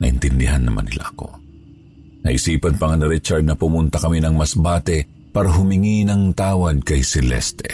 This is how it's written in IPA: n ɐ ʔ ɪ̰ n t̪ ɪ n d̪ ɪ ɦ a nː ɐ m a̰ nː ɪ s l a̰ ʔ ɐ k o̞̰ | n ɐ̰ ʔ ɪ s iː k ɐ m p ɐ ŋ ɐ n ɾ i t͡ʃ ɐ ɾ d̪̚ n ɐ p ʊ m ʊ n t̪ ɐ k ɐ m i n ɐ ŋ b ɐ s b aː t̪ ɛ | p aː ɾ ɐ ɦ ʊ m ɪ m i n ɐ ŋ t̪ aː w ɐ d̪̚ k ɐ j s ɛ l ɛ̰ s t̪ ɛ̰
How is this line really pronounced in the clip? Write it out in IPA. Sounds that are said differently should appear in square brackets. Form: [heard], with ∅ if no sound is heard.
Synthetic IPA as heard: n ɐ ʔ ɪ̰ n t̪ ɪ n d̪ ɪ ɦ a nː ɐ m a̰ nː ɪ [∅] l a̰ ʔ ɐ k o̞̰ | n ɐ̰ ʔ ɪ s iː [p] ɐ [n] p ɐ ŋ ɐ n ɾ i t͡ʃ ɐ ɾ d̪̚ n ɐ p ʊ m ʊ n t̪ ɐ k ɐ m i n ɐ ŋ [m] ɐ s b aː t̪ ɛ | p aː ɾ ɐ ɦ ʊ m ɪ [ŋ] i n ɐ ŋ t̪ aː w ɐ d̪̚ k ɐ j s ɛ l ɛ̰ s t̪ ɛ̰